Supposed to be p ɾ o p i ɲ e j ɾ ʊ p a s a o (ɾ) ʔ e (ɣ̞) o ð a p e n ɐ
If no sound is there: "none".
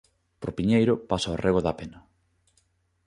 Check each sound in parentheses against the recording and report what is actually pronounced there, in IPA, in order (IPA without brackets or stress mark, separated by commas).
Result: r, ɣ̞